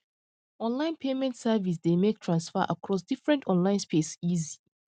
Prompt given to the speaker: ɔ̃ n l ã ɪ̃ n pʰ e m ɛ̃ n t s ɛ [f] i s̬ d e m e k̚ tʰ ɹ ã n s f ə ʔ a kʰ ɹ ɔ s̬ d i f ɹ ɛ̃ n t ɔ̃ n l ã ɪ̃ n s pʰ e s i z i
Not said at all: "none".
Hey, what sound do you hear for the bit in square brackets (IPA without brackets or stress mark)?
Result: v